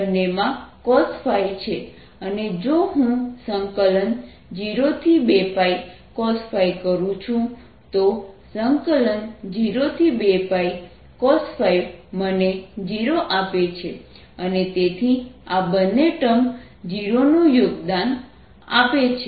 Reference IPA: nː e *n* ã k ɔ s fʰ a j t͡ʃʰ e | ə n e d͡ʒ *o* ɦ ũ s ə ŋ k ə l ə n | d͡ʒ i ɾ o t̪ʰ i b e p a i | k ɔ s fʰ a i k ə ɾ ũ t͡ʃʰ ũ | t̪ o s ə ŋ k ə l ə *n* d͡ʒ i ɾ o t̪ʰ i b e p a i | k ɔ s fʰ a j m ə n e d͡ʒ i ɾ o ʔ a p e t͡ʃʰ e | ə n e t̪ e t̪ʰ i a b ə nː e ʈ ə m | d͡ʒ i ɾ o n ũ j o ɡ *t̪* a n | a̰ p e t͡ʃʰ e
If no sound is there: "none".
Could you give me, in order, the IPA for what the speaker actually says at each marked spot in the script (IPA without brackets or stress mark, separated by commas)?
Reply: m, o, n, d̪